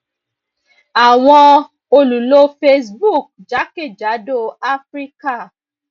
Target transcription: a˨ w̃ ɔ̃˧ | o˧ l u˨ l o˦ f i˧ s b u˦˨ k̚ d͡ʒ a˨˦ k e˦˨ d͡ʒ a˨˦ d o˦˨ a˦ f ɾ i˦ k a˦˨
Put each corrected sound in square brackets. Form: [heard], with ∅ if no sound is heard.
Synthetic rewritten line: a˨ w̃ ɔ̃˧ | o˧ l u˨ l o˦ f [e˧] s b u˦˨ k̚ d͡ʒ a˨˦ k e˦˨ d͡ʒ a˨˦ d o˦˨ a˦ f ɾ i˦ k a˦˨